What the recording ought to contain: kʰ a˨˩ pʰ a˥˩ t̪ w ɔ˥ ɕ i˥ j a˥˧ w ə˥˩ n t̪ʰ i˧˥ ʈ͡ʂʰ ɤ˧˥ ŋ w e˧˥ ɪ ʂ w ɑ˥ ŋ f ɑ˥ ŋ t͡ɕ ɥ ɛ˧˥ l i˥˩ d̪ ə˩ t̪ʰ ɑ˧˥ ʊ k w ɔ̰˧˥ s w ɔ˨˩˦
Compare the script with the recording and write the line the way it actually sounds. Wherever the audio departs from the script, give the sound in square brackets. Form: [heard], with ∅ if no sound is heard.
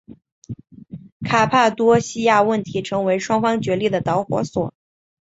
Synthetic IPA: kʰ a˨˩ pʰ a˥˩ t̪ w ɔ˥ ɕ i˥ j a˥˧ w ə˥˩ n t̪ʰ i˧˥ ʈ͡ʂʰ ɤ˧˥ ŋ w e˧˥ ɪ ʂ w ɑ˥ ŋ f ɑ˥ ŋ t͡ɕ ɥ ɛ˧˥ l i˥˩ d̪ ə˩ [t̪] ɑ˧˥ ʊ [x] w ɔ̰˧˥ s w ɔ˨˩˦